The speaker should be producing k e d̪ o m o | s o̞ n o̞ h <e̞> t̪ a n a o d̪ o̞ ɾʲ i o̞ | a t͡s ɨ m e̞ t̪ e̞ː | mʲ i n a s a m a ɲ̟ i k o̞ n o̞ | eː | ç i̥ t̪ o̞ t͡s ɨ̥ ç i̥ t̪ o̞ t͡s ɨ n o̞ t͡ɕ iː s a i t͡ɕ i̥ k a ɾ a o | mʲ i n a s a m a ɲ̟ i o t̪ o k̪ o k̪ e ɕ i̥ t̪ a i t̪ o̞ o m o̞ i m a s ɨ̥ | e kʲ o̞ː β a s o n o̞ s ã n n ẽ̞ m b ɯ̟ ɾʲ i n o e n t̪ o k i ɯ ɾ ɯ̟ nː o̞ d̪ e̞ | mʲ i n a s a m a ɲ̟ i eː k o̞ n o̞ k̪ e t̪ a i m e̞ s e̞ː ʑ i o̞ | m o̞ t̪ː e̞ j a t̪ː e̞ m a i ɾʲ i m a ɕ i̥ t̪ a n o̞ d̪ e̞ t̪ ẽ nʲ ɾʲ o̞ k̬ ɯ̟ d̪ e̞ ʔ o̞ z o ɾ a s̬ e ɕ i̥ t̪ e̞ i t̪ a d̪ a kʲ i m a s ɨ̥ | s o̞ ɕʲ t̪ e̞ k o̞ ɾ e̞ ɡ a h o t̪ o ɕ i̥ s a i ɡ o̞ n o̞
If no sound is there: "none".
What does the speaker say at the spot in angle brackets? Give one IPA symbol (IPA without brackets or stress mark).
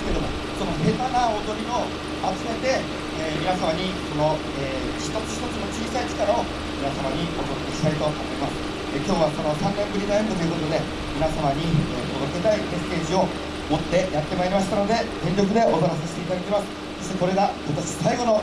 e̞